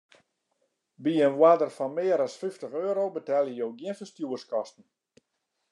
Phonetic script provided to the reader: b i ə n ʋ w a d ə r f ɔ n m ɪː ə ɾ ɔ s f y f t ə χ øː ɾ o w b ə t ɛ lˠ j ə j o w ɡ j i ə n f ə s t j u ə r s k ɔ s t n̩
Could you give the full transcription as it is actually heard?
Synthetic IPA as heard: b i ə n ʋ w a d ə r f ɔ n m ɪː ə ɾ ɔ s f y f t ə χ øː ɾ o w b ə t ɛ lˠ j ə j o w ɡ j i ə n f ə s t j u ə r s k ɔ s t n̩